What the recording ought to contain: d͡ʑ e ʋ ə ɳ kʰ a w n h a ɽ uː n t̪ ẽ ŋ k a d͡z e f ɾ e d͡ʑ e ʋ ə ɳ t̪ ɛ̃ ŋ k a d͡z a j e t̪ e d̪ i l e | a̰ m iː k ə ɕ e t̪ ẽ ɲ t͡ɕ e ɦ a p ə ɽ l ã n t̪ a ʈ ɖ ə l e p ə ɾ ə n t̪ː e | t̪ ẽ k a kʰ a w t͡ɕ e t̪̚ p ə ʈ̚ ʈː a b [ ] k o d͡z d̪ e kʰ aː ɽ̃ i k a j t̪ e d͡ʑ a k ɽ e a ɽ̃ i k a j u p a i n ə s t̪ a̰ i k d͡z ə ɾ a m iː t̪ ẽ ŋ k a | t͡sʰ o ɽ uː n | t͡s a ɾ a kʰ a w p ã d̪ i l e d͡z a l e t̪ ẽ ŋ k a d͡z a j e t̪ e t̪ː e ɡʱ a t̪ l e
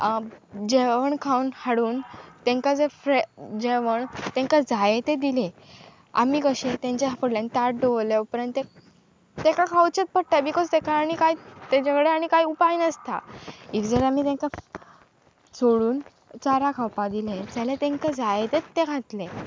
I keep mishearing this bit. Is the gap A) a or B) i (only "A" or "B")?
B